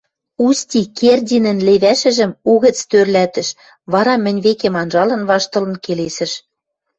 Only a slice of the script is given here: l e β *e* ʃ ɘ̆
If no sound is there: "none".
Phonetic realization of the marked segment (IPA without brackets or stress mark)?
æ